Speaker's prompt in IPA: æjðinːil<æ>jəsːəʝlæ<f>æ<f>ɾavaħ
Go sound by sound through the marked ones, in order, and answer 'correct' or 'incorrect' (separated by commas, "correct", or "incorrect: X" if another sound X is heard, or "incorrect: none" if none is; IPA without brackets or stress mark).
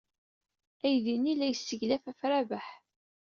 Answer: correct, correct, correct